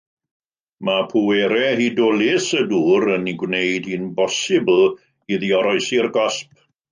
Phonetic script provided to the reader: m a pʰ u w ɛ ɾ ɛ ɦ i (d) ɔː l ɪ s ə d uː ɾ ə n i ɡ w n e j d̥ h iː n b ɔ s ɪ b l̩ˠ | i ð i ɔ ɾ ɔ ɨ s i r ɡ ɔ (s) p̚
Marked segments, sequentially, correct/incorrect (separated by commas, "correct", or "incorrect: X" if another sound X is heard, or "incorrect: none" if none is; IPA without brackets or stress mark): correct, correct